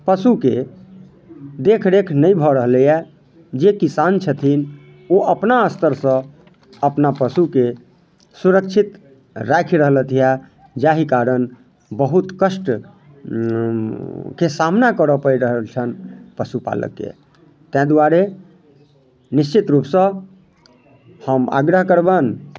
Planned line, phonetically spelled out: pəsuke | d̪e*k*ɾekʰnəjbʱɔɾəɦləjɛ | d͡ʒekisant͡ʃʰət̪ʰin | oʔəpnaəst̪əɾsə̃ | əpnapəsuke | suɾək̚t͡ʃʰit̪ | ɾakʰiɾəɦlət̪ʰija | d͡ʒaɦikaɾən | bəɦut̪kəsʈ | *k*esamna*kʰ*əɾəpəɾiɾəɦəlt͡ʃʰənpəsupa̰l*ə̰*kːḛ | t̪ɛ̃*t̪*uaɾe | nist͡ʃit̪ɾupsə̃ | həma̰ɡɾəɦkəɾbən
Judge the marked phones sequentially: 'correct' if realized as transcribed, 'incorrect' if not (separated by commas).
incorrect, correct, incorrect, correct, incorrect